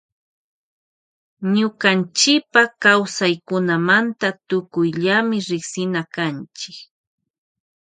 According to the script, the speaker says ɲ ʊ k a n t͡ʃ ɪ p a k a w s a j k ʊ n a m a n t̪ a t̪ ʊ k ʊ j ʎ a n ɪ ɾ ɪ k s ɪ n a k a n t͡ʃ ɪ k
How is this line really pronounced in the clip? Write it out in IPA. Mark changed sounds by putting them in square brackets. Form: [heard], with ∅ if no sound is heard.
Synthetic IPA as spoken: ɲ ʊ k a n t͡ʃ ɪ p a k a w s a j k ʊ n a m a n t̪ a t̪ ʊ k ʊ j ʎ a [m] ɪ ɾ ɪ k s ɪ n a k a n t͡ʃ ɪ k